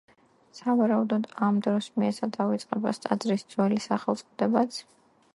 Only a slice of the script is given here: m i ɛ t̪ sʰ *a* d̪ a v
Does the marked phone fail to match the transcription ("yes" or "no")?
no